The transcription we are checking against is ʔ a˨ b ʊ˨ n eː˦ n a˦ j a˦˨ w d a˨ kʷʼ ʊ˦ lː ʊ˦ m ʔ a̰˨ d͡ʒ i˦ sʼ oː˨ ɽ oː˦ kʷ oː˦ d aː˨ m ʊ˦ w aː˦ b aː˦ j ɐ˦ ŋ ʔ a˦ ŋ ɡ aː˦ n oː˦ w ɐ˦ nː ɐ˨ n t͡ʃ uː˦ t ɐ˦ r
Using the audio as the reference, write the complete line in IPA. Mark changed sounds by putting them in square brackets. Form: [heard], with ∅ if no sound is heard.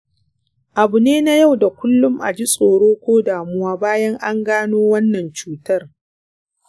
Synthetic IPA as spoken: ʔ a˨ b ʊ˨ n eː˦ n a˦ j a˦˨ w d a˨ [kʷ] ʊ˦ lː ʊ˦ m ʔ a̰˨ d͡ʒ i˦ sʼ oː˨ ɽ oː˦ kʷ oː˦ d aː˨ m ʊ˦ w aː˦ b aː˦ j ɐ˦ ŋ ʔ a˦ ŋ ɡ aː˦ n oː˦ w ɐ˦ nː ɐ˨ n t͡ʃ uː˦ t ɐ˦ r